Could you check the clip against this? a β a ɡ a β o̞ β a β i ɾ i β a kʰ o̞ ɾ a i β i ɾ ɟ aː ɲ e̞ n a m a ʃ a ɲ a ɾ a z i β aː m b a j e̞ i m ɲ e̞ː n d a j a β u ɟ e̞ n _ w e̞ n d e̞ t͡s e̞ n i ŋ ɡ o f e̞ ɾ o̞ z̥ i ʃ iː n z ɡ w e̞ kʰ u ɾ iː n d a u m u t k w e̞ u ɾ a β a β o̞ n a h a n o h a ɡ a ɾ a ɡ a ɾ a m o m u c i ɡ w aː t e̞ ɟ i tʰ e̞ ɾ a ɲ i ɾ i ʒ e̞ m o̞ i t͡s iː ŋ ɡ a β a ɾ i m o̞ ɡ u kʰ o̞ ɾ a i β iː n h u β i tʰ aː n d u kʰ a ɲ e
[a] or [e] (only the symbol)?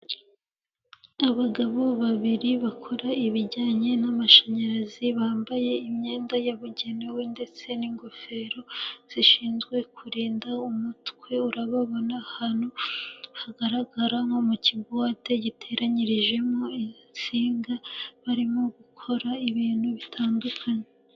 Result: e